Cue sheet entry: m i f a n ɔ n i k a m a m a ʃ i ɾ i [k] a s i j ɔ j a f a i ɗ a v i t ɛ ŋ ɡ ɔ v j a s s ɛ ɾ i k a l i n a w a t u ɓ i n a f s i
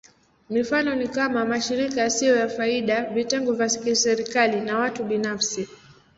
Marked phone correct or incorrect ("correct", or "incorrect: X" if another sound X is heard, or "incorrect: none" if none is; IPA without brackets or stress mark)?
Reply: correct